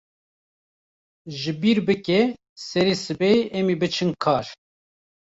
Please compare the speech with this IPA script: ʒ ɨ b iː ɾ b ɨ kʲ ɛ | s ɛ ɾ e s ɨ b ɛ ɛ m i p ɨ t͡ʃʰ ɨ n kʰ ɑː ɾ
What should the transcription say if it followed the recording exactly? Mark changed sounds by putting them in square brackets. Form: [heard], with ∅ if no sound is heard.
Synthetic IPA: ʒ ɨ b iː ɾ b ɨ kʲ ɛ | s ɛ ɾ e s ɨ b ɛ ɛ m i [b] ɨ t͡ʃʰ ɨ n kʰ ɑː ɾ